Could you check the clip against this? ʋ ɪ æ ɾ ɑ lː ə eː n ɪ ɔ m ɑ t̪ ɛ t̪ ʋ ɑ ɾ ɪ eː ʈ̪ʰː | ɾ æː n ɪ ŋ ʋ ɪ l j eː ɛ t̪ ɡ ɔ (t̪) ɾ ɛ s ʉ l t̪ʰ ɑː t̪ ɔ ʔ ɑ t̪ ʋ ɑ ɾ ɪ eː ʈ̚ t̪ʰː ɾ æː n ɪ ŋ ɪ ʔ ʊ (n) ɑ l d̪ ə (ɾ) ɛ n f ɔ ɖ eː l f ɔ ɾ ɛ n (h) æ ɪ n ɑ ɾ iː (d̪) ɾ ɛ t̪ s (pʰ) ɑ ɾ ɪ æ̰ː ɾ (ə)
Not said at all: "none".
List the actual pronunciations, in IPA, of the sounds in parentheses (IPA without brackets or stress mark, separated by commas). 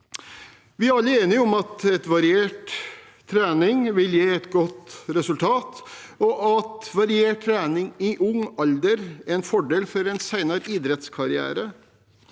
t̪, ŋ, ɾ, s, d̪, kʰ, ə